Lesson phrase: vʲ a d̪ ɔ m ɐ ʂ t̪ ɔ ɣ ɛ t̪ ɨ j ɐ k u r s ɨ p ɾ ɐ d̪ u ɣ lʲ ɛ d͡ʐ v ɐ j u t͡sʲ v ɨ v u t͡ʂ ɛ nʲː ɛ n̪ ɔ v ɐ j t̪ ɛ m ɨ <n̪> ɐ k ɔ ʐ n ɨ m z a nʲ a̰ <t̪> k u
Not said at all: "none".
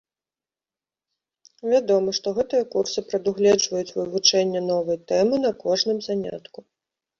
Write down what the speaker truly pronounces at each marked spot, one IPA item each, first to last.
n̪, t̪

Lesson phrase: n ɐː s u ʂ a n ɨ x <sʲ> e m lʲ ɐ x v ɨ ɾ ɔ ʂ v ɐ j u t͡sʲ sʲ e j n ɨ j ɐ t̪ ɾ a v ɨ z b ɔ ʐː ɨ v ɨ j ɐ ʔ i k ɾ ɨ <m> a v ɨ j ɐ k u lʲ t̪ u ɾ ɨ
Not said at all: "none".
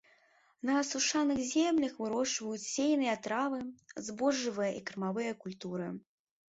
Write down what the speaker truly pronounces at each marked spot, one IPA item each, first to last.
zʲ, m

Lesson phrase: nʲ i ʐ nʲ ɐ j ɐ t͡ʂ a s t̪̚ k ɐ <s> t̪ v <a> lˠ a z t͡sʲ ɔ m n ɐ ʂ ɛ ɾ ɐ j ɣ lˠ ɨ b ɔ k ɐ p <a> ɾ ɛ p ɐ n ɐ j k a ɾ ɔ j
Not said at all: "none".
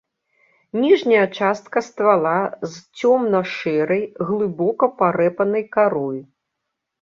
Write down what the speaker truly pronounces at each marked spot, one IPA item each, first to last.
s, a, a

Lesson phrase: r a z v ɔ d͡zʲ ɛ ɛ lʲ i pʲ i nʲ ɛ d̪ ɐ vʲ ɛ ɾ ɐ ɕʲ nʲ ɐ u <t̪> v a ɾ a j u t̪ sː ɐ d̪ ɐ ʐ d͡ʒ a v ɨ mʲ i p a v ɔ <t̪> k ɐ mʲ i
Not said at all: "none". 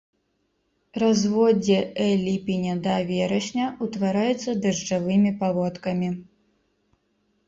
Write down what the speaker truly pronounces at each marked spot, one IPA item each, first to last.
t̪, t̪

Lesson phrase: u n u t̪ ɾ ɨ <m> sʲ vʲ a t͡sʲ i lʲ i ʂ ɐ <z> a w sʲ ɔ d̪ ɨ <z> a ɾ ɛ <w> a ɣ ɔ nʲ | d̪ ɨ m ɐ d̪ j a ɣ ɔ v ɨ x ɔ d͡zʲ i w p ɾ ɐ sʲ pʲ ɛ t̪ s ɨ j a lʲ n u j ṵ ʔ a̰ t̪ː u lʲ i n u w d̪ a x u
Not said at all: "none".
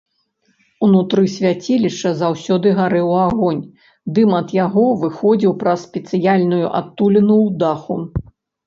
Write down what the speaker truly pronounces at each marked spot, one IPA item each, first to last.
none, z, ɣ, w

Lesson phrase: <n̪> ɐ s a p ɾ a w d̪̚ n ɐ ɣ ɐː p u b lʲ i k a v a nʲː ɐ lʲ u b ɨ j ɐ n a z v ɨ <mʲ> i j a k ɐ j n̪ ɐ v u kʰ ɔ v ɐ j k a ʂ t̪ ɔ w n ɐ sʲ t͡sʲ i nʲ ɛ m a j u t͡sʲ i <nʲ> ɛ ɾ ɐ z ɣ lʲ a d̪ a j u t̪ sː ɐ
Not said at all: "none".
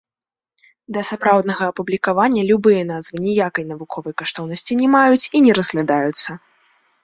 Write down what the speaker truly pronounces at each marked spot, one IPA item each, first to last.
d̪, nʲ, nʲ

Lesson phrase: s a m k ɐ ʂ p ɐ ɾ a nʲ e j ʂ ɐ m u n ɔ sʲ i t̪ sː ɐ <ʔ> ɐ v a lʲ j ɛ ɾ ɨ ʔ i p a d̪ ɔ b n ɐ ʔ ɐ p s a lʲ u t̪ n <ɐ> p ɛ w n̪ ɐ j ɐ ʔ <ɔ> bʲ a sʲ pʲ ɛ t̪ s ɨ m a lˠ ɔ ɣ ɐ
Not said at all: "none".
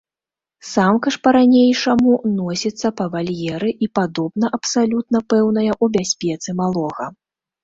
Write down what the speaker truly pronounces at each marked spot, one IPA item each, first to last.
p, ɐ, u

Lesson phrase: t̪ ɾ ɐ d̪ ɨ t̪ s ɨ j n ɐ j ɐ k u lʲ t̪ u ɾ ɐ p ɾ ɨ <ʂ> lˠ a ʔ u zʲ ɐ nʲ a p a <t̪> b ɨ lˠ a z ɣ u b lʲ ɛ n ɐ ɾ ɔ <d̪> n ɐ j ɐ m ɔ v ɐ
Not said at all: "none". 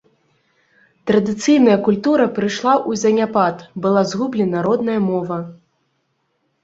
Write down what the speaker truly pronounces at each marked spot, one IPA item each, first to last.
ʂ, t̪, d̪

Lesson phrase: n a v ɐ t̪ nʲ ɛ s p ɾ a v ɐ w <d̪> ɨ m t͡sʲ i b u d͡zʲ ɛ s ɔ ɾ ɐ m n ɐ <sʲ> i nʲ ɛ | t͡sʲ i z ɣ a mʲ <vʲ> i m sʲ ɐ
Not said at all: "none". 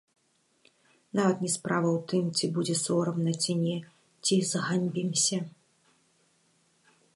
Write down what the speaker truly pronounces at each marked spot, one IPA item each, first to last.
t̪, t͡sʲ, bʲ

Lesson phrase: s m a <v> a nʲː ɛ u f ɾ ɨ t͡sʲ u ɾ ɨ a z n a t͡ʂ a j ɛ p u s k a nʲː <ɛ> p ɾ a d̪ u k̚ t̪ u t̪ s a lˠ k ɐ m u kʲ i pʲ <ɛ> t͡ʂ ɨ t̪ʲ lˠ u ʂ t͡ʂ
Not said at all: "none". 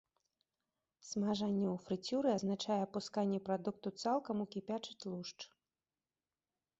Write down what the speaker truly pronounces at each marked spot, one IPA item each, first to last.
ʐ, ɛ, a

